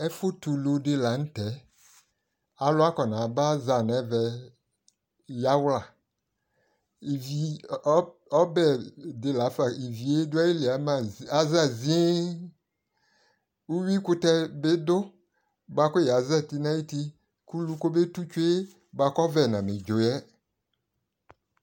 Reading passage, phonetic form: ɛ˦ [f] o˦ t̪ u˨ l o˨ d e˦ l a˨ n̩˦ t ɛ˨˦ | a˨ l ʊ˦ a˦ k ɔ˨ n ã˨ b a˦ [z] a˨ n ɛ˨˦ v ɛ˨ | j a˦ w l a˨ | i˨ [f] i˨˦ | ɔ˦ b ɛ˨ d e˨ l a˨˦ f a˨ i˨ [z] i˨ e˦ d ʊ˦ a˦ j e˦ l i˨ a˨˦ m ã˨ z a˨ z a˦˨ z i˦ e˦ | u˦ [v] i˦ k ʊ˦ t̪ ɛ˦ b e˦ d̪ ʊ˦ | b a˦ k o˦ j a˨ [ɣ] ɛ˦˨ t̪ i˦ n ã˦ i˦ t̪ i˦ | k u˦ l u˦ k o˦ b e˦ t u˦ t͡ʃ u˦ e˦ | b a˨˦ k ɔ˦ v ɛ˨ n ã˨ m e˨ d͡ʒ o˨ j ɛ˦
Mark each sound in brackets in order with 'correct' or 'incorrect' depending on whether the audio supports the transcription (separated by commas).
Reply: correct, correct, incorrect, incorrect, incorrect, incorrect